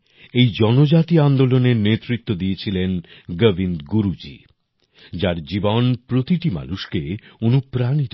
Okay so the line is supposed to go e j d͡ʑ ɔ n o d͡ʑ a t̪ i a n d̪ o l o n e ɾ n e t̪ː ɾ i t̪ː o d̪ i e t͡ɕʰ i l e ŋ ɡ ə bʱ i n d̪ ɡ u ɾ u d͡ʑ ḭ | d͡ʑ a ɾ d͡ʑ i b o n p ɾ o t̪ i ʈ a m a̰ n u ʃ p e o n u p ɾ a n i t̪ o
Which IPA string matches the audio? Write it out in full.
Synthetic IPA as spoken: e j d͡ʑ ɔ n o d͡ʑ a t̪ i a n d̪ o l o n e ɾ n e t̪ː ɾ i t̪ː o d̪ i e t͡ɕʰ i l e n ɡ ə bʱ i n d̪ ɡ u ɾ u d͡ʑ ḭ | d͡ʑ a ɾ d͡ʑ i b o n p ɾ o t̪ i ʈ i m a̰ n u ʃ k e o n u p ɾ a n i t̪ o